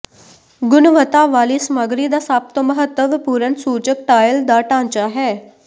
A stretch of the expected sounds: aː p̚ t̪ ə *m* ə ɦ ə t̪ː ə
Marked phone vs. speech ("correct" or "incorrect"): correct